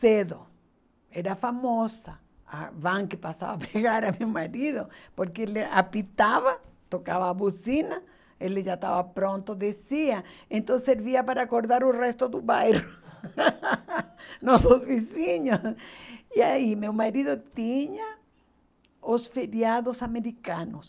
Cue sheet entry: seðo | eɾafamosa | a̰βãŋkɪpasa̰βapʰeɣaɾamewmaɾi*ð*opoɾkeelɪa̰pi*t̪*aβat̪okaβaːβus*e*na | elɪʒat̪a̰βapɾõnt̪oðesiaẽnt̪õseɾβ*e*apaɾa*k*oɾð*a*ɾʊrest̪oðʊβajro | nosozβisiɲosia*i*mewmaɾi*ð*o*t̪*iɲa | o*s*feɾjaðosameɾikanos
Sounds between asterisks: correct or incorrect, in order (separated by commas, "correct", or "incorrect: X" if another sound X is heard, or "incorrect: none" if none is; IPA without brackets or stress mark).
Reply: correct, correct, incorrect: i, incorrect: i, correct, correct, correct, correct, correct, correct